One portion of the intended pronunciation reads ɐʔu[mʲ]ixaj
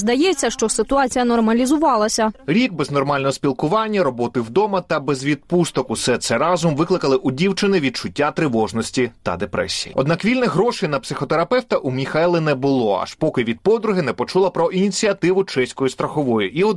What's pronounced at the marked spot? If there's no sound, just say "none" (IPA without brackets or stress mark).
mʲ